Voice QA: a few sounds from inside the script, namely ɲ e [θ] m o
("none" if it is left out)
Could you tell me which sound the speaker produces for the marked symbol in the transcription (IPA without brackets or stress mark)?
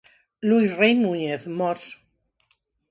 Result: θ